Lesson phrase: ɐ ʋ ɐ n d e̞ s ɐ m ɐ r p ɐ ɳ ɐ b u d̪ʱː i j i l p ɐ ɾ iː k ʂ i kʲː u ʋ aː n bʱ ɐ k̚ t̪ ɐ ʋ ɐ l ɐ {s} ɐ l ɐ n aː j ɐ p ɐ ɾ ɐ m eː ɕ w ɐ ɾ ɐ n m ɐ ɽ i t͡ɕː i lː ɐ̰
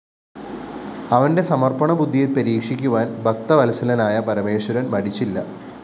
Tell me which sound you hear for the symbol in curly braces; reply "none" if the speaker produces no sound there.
s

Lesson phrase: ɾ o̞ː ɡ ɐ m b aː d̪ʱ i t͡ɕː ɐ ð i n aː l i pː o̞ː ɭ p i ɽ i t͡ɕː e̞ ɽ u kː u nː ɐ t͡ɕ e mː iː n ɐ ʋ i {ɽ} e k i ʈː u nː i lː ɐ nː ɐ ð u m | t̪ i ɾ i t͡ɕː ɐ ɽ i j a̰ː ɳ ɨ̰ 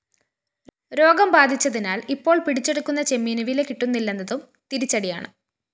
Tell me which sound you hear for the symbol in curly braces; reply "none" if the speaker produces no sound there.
l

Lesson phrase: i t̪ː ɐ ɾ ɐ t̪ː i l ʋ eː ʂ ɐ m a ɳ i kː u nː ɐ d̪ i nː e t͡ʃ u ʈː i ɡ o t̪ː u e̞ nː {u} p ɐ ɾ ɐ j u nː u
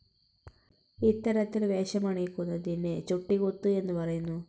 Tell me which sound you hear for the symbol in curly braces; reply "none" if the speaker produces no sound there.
u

